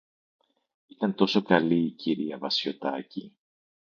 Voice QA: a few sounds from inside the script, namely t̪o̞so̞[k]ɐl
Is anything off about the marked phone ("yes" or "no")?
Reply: no